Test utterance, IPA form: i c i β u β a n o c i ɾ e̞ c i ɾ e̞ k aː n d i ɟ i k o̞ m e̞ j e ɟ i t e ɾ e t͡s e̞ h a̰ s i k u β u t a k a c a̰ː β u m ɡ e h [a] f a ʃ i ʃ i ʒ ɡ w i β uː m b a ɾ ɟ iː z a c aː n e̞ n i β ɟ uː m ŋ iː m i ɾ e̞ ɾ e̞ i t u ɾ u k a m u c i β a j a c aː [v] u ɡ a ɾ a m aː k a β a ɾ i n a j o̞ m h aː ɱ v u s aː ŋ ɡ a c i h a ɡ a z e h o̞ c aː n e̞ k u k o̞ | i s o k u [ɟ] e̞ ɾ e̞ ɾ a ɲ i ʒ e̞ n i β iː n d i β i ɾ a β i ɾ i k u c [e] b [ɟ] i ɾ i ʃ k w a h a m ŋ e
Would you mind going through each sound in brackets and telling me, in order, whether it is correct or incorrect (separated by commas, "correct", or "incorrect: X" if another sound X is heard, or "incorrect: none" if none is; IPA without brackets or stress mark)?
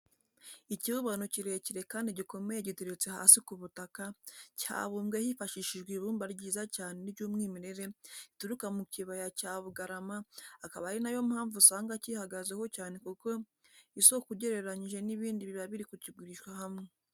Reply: incorrect: i, incorrect: β, correct, incorrect: i, incorrect: ɡ